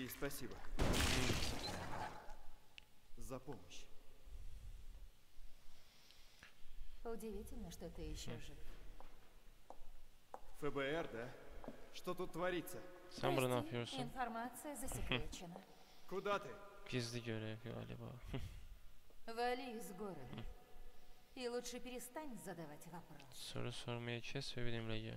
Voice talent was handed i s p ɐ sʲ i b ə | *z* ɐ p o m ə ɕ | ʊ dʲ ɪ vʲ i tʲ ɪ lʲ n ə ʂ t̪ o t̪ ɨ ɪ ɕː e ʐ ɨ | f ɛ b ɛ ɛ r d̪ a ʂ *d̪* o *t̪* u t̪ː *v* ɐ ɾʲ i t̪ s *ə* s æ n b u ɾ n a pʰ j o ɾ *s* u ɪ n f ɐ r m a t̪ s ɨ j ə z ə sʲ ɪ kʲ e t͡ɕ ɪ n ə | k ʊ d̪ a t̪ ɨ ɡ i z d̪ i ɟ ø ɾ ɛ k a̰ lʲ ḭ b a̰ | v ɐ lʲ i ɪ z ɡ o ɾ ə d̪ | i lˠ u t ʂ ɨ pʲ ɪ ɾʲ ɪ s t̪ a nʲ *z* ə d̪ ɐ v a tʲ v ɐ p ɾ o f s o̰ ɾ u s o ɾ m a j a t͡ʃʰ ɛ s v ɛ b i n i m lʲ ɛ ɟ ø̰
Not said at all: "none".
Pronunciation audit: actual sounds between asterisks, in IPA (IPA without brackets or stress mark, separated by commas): z, t̪, t̪, v, ə, s, z